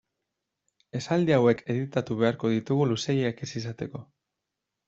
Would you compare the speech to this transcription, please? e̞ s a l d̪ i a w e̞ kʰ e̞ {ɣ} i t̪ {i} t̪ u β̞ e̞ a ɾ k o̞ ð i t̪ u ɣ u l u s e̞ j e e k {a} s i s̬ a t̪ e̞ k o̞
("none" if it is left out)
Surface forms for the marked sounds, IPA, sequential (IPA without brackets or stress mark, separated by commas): ð, a, e